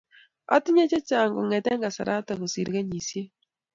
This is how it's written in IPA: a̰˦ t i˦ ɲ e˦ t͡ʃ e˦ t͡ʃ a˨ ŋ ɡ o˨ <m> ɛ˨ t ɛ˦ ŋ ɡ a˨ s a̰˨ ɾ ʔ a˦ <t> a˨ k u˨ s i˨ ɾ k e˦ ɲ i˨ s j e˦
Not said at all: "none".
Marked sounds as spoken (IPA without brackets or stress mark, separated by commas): ŋ, t